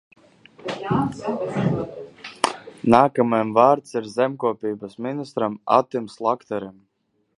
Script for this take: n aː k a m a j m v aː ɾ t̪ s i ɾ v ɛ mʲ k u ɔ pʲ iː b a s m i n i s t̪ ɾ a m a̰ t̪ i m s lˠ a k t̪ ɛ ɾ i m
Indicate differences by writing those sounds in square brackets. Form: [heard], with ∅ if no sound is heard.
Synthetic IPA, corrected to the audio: n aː k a m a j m v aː ɾ t̪ s i ɾ [z] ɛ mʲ k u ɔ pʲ iː b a s m i n i s t̪ ɾ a m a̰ t̪ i m s lˠ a k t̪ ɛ ɾ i m

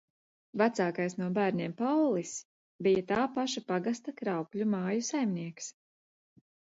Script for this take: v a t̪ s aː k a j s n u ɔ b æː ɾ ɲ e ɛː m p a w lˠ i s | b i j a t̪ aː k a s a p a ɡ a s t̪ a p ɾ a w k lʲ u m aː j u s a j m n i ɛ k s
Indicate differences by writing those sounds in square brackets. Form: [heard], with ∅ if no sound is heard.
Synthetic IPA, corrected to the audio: v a t̪ s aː k a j s n u ɔ b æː ɾ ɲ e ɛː m p a w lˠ i s | b i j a t̪ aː [p] a [ʃ] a p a ɡ a s t̪ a [k] ɾ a w k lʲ u m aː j u s a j m n i ɛ k s

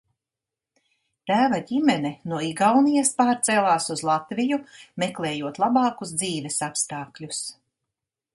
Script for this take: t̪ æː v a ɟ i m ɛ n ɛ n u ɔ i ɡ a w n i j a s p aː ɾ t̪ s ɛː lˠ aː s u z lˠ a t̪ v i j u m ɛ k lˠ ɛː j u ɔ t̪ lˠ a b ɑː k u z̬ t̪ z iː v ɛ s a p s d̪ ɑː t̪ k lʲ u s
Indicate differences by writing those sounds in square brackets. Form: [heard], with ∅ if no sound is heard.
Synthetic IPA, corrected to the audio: t̪ æː v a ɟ i m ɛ n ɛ n u ɔ i ɡ a w n i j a s p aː ɾ t̪ s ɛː lˠ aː s u z lˠ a t̪ v i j u m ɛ k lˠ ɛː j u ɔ t̪ lˠ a b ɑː k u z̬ [d̪] z iː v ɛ s a p s [t̪] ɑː [∅] k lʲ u s

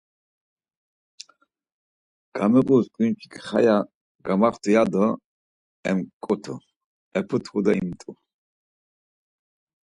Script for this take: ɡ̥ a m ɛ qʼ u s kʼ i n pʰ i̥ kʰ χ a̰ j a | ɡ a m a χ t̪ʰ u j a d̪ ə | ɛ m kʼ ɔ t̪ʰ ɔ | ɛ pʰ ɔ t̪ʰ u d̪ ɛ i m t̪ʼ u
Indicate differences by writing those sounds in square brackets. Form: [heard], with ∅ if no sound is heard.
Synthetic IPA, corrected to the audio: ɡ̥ a m ɛ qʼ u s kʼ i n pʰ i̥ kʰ χ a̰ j a | ɡ a m a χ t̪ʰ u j a d̪ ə | ɛ m kʼ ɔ t̪ʰ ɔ | ɛ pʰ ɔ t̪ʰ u d̪ [a] i m t̪ʼ u

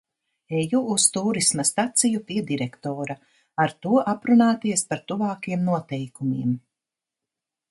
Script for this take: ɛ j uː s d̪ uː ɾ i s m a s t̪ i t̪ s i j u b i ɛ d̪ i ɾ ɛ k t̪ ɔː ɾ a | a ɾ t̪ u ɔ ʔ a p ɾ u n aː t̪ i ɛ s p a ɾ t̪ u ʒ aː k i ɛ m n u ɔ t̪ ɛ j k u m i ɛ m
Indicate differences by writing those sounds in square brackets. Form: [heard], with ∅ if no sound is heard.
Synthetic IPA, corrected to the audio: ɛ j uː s [t̪] uː ɾ i s m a s t̪ [a] t̪ s i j u [p] i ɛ d̪ i ɾ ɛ k t̪ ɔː ɾ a | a ɾ t̪ u ɔ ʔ a p ɾ u n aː t̪ i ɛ s p a ɾ t̪ u [v] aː k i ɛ m n u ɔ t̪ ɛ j k u m i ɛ m

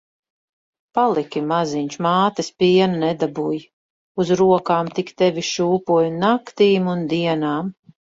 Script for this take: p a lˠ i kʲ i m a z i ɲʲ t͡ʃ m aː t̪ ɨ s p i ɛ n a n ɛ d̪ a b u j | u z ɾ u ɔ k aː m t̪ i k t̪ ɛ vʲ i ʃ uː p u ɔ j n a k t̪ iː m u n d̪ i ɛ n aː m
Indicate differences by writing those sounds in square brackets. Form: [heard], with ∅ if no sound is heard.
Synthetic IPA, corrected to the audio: p a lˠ i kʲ i m a z i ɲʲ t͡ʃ m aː t̪ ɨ s p i ɛ n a n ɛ d̪ a b u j | u z ɾ u ɔ k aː m t̪ i k t̪ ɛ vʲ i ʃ uː p u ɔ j n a k t̪ iː m u n d̪ i ɛ n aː m

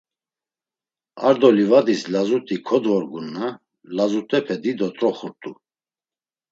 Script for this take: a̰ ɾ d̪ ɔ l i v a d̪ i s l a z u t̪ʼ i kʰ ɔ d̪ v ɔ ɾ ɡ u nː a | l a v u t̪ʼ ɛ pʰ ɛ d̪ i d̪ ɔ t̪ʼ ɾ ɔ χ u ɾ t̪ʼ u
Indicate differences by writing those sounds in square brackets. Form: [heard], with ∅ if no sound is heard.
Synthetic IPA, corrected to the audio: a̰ ɾ d̪ ɔ l i v a d̪ i s l a z u t̪ʼ i kʰ ɔ d̪ v ɔ ɾ ɡ u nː a | l a [z] u t̪ʼ ɛ pʰ ɛ d̪ i d̪ ɔ t̪ʼ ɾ ɔ χ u ɾ t̪ʼ u

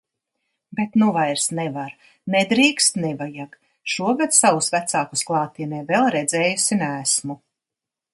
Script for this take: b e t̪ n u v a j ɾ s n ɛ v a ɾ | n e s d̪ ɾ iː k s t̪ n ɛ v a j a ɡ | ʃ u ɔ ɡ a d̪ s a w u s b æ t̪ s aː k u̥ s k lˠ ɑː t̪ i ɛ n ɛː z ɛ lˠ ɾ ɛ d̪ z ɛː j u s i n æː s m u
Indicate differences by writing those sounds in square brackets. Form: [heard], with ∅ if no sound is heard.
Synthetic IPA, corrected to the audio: b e t̪ n u v a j ɾ s n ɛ v a ɾ | n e [∅] d̪ ɾ iː k s t̪ n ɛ v a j a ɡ | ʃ u ɔ ɡ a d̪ s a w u s [v] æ t̪ s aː k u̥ s k lˠ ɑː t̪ i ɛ n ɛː [v] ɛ lˠ ɾ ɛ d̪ z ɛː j u s i n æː s m u

